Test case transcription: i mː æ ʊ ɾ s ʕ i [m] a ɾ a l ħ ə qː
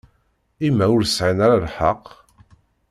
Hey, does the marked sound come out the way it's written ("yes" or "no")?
no